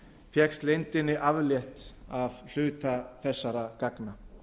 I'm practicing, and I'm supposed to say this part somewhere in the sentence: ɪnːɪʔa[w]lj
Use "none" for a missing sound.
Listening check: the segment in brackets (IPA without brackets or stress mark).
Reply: v